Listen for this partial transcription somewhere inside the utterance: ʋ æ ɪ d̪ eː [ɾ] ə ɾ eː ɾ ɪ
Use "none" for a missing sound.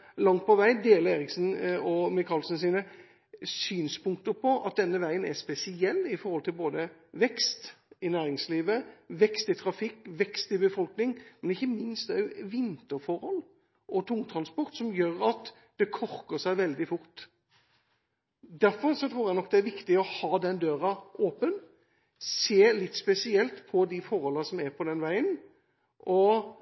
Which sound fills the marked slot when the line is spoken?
l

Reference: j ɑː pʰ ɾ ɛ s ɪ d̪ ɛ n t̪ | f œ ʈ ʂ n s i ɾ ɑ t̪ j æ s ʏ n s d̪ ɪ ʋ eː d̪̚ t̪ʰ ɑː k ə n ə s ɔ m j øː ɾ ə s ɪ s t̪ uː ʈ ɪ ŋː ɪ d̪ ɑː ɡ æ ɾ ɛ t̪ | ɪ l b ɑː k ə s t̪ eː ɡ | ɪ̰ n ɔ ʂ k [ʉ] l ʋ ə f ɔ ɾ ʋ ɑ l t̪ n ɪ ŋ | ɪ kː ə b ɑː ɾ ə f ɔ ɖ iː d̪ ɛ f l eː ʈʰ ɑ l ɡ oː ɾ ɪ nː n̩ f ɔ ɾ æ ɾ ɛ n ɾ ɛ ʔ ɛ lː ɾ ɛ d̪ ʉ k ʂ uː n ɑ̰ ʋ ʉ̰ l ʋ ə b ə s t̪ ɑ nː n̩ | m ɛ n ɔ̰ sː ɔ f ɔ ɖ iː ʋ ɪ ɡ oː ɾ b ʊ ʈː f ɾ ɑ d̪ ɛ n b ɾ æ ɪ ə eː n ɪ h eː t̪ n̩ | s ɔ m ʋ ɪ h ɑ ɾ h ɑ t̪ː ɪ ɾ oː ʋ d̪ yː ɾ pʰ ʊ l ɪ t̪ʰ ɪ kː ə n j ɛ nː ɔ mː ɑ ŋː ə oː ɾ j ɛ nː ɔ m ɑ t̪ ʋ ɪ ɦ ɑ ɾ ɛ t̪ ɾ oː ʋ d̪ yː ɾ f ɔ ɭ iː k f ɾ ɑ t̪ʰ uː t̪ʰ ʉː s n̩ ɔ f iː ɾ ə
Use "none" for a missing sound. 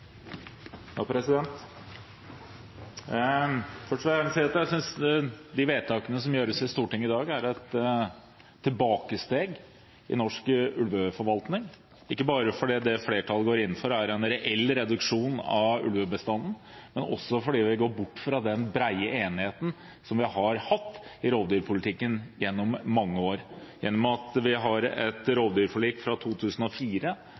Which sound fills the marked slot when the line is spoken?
ʉ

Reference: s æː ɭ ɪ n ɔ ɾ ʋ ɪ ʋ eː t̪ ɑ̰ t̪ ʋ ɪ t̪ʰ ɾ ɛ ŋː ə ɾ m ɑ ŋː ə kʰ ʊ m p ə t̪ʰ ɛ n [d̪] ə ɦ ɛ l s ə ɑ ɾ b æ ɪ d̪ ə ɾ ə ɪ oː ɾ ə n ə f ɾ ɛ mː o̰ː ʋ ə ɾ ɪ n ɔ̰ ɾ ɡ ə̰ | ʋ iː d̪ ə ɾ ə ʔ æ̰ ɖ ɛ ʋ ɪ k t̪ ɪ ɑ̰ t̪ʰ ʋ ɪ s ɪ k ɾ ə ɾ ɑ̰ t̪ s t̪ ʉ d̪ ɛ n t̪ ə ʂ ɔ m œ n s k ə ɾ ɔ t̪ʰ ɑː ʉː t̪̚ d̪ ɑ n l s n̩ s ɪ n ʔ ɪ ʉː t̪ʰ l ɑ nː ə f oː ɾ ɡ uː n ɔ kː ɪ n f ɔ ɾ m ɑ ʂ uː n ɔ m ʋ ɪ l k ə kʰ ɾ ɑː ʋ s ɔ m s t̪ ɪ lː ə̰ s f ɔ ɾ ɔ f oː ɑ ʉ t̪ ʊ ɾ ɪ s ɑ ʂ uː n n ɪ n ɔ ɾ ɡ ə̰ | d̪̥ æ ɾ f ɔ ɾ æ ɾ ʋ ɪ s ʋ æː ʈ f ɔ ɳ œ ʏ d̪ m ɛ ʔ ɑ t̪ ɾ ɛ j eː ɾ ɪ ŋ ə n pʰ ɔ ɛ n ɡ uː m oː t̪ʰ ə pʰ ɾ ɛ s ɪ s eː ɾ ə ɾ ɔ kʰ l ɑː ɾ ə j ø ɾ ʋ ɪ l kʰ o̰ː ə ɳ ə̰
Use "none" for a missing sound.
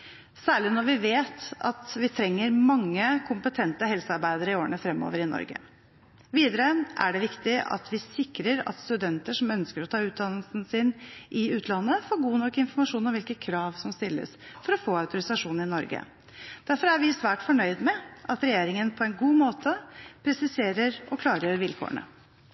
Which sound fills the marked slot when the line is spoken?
t̪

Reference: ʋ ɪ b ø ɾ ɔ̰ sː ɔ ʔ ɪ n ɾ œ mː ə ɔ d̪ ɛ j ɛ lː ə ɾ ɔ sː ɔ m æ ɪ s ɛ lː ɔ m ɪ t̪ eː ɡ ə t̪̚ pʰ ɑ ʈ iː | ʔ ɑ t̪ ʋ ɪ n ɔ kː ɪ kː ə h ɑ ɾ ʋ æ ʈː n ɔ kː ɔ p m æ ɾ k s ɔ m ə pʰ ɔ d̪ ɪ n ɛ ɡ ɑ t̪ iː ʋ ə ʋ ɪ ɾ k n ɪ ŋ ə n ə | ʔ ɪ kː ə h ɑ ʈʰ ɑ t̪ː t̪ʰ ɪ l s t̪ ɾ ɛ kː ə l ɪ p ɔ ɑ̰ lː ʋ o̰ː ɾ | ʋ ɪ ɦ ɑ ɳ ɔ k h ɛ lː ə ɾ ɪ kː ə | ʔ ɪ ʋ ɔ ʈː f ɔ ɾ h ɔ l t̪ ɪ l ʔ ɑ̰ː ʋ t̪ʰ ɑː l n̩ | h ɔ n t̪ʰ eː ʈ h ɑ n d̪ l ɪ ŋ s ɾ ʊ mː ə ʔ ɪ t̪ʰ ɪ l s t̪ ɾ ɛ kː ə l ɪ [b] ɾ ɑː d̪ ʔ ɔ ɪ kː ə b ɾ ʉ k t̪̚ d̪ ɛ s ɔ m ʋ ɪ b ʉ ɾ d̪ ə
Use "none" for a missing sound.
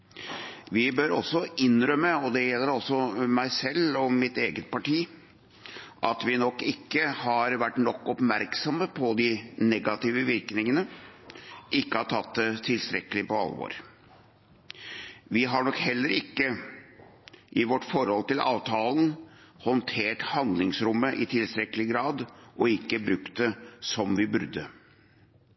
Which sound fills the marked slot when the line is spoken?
ɡ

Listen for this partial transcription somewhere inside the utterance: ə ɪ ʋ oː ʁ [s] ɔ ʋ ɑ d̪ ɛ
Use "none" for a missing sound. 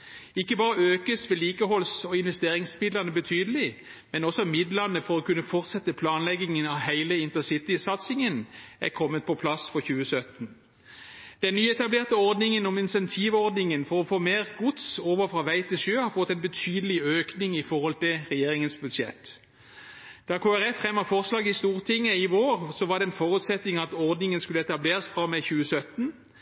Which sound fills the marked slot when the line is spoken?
s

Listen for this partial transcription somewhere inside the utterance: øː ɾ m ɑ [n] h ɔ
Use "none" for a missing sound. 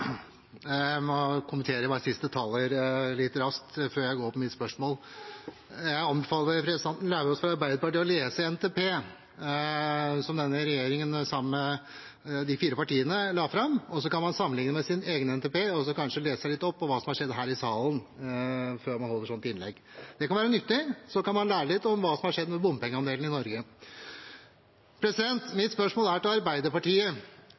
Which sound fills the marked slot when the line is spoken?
n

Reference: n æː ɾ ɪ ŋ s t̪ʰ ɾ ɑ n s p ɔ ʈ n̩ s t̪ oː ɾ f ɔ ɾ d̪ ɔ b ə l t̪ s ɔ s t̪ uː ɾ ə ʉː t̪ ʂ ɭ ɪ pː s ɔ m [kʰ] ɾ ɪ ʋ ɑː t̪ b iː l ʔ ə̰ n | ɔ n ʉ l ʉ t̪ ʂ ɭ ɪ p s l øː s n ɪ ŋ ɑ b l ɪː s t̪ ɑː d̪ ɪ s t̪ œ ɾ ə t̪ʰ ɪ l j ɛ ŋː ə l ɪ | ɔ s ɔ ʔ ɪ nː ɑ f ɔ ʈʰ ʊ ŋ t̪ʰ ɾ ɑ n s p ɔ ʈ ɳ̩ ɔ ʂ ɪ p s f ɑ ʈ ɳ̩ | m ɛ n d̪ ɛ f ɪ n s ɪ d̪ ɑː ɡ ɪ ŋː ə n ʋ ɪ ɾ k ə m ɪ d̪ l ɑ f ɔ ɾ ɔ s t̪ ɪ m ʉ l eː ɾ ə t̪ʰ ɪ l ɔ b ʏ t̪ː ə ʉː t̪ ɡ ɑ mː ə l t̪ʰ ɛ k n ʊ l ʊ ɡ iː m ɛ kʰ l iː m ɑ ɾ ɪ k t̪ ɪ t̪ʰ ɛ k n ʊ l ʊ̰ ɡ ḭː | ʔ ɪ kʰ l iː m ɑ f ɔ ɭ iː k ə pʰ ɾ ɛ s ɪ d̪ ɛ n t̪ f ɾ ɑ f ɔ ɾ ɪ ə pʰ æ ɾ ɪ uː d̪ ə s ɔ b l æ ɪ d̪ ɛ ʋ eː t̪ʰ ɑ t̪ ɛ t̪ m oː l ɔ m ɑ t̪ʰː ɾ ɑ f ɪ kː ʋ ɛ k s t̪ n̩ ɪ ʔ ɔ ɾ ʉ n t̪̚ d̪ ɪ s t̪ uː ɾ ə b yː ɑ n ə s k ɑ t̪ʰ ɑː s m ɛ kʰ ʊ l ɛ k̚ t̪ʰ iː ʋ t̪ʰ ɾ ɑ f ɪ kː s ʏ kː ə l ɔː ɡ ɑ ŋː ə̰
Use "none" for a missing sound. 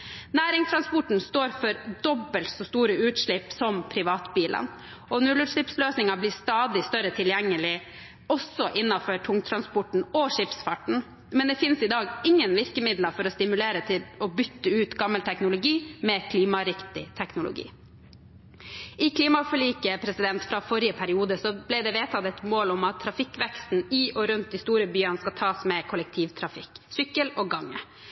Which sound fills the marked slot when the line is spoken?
pʰ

